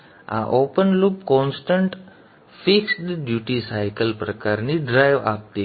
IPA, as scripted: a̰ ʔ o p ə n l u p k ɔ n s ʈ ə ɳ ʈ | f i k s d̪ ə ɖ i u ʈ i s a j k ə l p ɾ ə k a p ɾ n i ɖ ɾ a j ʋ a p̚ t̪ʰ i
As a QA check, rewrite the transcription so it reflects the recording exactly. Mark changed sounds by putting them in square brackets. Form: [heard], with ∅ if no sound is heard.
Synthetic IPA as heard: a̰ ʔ o p ə n l u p k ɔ n s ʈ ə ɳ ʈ | f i k s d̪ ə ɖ [j] u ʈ i s a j k ə l p ɾ ə k a [∅] ɾ n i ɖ ɾ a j ʋ a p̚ [t̪] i